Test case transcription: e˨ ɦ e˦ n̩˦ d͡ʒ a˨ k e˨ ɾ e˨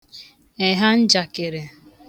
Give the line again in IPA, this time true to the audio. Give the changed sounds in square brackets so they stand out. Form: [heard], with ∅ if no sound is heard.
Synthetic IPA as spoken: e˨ ɦ [a˦] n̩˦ d͡ʒ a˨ k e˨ ɾ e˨